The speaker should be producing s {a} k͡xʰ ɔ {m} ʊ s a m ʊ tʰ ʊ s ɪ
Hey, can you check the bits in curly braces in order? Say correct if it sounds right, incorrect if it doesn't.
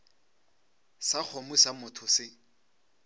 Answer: correct, correct

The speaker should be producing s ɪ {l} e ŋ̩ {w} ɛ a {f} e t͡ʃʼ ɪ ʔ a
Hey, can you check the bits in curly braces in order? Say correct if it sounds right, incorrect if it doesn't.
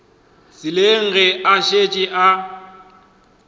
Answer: correct, incorrect: ɣ, incorrect: ʃ

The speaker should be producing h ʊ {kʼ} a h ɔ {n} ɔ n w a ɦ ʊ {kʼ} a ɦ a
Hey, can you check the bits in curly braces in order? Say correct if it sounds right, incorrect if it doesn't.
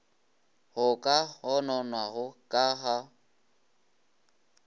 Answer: correct, correct, correct

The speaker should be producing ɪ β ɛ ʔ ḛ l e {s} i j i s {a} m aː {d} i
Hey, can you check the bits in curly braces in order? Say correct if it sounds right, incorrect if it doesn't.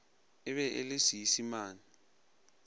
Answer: correct, incorrect: i, incorrect: n

